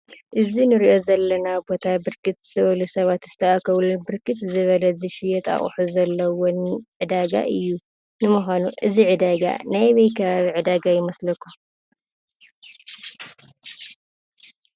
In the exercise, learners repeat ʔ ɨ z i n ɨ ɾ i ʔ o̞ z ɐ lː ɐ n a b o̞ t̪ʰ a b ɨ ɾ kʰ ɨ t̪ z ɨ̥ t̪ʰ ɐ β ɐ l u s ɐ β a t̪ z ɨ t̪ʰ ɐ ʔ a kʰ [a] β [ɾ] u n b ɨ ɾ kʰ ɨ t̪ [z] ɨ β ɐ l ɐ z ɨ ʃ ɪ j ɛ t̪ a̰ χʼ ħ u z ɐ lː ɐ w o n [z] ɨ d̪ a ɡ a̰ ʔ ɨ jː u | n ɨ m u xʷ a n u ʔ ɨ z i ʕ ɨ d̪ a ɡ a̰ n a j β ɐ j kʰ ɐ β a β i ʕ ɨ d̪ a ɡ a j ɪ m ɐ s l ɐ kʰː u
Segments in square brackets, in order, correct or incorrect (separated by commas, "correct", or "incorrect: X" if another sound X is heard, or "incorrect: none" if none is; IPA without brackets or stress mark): incorrect: ɐ, incorrect: l, correct, incorrect: ʕ